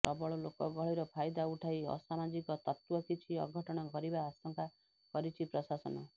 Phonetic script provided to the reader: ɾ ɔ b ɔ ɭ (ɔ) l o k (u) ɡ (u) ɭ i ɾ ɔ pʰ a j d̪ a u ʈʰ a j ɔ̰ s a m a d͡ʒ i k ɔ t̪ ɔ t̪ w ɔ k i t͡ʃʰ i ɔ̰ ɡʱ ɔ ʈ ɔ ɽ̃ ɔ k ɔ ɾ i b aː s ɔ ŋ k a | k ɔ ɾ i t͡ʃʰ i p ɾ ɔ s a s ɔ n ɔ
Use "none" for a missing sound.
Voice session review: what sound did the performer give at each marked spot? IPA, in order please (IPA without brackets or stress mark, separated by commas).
ɔ, ɔ, ɔ